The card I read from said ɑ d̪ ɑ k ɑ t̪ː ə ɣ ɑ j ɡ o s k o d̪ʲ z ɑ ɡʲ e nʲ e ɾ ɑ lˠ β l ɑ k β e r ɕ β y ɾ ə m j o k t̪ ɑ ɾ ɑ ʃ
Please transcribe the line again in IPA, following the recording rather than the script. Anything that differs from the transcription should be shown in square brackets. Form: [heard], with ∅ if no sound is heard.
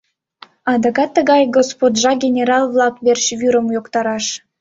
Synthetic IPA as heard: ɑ d̪ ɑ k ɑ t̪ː ə ɣ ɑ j ɡ o s [p] o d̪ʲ [ʒ] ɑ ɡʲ e nʲ e ɾ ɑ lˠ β l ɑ k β e r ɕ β y ɾ ə m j o k t̪ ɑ ɾ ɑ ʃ

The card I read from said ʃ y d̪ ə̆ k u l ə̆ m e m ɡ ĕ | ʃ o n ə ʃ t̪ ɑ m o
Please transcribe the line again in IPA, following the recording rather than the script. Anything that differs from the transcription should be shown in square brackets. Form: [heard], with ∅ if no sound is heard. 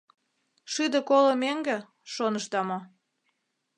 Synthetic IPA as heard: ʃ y d̪ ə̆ k [o] l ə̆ m e [ŋ] ɡ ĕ | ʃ o n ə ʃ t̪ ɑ m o

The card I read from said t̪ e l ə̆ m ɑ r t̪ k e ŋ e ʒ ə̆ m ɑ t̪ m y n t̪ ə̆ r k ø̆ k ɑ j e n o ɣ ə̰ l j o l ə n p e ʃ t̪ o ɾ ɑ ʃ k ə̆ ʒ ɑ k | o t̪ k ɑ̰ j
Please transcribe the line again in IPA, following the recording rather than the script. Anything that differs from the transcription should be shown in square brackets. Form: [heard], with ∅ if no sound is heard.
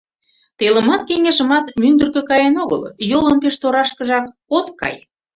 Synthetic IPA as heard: t̪ e l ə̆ m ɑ [∅] t̪ k e ŋ e ʒ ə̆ m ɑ t̪ m y n [d̪] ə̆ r k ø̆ k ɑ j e n o ɣ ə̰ l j o l ə n p e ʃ t̪ o ɾ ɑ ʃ k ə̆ ʒ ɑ k | o t̪ k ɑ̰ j

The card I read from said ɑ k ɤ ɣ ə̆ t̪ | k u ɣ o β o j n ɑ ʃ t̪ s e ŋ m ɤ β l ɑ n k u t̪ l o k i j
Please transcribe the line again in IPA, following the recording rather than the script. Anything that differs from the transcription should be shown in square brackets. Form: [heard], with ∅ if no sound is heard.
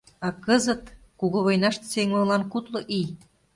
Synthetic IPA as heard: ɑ k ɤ [z] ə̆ t̪ | k u ɣ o β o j n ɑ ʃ t̪ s e ŋ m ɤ [∅] l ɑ n k u t̪ l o [ʔ] i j

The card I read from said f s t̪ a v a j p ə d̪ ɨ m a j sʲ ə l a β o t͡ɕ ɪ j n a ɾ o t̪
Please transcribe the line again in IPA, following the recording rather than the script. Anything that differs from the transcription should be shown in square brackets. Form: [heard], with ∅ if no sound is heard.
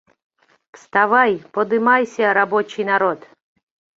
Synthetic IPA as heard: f s t̪ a v a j p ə d̪ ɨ m a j sʲ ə [ɾ] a [b] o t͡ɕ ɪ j n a ɾ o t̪

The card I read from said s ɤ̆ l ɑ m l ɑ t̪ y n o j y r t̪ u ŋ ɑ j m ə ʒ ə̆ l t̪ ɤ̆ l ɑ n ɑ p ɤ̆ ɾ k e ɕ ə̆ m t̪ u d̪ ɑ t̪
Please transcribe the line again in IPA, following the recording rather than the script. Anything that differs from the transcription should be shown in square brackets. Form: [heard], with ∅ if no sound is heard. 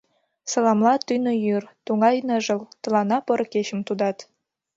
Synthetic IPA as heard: s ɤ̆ l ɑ m l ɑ t̪ y n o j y r t̪ u ŋ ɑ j [n] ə ʒ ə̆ l t̪ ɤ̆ l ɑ n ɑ p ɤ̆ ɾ k e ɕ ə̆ m t̪ u d̪ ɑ t̪

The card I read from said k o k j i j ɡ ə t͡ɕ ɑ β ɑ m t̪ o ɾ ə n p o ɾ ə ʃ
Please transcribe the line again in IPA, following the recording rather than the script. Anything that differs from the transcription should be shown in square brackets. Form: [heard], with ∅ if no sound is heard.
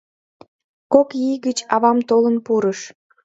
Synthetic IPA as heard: k o k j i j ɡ ə t͡ɕ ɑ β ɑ m t̪ o [l] ə n p [u] ɾ ə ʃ

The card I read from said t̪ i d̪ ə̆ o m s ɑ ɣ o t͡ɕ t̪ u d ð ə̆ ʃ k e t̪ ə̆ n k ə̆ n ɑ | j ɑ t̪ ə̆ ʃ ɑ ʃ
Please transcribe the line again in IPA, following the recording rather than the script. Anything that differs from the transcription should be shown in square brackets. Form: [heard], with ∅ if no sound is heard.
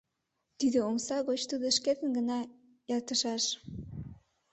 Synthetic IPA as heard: t̪ i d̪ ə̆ o m s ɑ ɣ o t͡ɕ t̪ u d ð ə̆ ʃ k e t̪ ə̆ n [ɡ] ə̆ n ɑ | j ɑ t̪ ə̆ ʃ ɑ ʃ

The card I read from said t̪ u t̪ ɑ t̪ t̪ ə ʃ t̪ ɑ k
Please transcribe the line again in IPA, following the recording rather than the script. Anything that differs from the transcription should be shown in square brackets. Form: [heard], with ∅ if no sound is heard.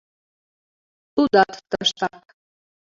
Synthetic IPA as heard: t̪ u [d̪] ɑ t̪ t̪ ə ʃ t̪ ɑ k

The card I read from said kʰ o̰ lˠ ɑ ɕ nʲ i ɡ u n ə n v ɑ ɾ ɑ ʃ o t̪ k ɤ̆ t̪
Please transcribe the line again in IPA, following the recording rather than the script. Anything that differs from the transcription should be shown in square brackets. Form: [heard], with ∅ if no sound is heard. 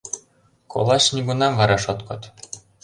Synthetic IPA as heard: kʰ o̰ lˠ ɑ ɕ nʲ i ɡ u n [ɑ] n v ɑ ɾ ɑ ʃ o t̪ k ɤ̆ t̪

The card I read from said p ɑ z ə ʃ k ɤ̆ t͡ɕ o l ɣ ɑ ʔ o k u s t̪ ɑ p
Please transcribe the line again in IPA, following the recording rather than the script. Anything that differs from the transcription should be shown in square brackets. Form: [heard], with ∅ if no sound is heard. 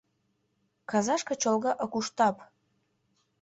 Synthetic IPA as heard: [k] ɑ z [ɑ] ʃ k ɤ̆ t͡ɕ o l ɣ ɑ ʔ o k u [ʃ] t̪ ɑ p

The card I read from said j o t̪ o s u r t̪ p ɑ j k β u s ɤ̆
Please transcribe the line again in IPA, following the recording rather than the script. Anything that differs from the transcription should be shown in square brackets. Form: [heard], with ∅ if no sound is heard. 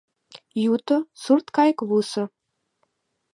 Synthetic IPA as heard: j [u] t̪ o s u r t̪ [k] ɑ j k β u s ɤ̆

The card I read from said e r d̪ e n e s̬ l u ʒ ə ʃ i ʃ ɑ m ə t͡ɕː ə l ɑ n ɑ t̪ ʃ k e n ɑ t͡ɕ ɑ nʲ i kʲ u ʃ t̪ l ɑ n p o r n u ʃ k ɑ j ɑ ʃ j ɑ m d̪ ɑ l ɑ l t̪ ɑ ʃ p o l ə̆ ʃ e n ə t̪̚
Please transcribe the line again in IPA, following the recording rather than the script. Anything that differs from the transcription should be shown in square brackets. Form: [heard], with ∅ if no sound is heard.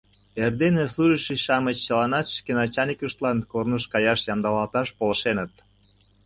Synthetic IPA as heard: e r d̪ e n e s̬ l u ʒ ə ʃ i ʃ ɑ m ə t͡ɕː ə l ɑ n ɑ t̪ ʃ k e n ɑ t͡ɕ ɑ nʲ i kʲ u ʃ t̪ l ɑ n [k] o r n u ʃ k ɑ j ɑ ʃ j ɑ m d̪ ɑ l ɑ l t̪ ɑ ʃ p o l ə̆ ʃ e n ə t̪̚

